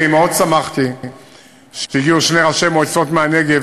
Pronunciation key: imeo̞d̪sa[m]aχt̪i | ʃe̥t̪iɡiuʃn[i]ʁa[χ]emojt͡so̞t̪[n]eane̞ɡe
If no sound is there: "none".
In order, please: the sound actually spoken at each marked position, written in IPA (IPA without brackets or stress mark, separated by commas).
m, e, ʃ, m